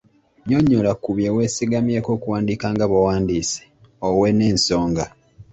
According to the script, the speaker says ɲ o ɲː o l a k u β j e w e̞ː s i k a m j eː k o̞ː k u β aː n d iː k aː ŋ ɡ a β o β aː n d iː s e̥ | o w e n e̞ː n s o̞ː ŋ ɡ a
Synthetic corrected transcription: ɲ o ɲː o l a k u β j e w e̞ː s i ɡ a m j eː k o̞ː k u w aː n d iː k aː ŋ ɡ a β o w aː n d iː s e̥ | o w e n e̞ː n s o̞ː ŋ ɡ a